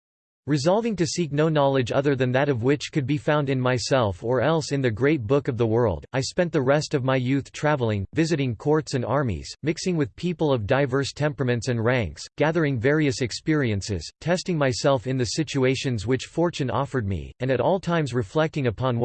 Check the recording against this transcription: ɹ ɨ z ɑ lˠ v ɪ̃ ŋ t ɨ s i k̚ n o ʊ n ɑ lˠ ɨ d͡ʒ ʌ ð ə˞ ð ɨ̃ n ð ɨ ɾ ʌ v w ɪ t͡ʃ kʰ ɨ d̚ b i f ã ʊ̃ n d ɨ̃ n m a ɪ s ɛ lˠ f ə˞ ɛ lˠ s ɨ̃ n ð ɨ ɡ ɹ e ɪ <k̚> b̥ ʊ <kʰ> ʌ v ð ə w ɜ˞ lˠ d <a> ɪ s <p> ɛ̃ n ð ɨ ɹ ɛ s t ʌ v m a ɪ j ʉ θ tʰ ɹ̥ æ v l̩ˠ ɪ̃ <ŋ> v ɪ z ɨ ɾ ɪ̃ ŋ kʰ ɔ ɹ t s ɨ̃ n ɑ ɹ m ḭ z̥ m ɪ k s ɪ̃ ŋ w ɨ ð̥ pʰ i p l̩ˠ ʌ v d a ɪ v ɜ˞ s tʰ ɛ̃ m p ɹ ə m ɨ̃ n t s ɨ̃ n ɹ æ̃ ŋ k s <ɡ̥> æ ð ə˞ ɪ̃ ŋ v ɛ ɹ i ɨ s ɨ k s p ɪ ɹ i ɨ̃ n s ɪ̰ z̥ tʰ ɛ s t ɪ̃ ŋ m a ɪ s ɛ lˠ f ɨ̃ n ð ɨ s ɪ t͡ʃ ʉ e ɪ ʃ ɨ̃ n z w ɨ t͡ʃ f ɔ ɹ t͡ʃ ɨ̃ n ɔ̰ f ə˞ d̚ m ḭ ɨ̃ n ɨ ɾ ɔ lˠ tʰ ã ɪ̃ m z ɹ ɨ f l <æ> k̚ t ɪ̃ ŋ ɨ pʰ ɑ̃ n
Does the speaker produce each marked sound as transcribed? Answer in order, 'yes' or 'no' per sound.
no, no, yes, yes, yes, yes, no

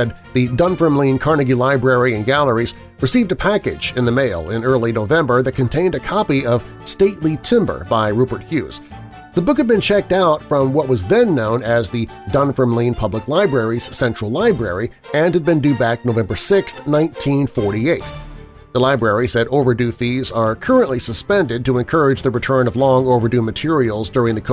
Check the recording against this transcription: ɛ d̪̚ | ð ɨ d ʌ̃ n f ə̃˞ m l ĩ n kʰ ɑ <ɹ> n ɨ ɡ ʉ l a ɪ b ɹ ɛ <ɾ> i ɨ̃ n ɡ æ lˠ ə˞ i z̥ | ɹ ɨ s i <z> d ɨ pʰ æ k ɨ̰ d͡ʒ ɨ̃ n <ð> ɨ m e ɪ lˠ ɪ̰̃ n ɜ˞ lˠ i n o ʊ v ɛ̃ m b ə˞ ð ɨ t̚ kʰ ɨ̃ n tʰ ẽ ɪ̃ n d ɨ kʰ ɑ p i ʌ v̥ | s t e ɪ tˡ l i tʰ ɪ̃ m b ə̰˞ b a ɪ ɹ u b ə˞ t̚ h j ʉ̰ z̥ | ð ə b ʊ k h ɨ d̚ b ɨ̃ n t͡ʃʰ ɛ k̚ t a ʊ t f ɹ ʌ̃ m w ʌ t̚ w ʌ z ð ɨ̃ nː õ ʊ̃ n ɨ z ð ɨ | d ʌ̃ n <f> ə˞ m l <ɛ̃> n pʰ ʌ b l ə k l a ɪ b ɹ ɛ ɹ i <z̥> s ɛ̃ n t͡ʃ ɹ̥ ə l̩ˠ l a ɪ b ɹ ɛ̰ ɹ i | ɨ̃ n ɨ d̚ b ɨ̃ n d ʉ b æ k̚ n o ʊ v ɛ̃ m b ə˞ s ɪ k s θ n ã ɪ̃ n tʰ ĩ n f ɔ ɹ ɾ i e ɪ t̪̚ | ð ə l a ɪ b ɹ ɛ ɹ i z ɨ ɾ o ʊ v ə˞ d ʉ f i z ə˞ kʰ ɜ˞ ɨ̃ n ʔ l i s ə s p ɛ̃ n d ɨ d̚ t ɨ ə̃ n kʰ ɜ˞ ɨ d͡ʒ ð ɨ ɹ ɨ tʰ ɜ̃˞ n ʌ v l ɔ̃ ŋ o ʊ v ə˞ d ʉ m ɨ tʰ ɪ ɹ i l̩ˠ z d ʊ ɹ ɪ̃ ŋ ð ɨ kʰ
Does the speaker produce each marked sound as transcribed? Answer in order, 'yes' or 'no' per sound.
yes, no, no, yes, yes, no, yes

